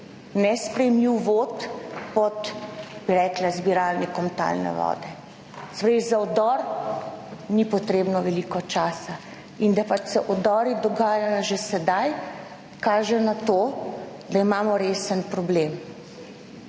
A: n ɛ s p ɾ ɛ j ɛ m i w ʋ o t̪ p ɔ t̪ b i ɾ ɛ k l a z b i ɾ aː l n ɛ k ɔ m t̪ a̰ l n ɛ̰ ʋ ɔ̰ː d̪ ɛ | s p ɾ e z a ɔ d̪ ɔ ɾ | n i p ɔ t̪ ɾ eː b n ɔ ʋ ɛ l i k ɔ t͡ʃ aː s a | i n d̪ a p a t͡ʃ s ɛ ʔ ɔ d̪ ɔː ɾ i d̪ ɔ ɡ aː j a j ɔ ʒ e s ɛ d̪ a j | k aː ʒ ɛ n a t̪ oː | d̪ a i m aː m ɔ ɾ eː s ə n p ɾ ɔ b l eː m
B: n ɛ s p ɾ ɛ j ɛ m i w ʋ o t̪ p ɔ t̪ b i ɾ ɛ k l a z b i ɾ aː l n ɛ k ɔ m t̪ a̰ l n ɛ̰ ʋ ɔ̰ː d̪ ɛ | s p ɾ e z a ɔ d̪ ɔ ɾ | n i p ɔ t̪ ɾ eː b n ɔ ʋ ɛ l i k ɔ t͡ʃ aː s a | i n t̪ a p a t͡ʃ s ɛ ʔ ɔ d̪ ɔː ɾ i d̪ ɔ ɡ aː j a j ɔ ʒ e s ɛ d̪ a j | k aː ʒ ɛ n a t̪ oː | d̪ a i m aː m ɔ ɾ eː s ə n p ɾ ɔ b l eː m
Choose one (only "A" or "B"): A